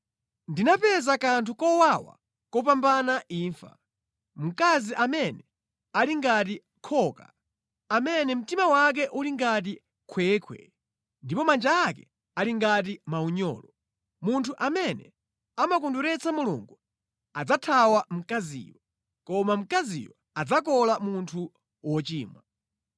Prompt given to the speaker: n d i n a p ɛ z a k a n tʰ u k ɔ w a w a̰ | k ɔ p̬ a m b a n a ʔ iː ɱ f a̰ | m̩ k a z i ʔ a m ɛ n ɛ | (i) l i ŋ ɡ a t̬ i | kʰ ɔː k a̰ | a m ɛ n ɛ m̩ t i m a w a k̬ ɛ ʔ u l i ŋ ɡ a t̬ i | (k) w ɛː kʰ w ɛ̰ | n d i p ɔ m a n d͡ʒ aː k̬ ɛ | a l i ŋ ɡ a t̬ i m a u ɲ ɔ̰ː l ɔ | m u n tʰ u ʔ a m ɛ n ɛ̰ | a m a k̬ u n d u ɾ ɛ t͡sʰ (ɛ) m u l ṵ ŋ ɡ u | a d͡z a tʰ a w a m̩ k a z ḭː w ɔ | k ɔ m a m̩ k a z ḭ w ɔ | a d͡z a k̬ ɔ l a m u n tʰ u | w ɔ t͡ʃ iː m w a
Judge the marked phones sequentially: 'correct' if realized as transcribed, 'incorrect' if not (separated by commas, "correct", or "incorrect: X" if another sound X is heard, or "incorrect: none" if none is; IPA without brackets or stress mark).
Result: incorrect: a, incorrect: kʰ, incorrect: a